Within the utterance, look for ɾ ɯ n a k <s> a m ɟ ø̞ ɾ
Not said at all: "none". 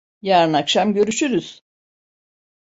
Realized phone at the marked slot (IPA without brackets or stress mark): ʃ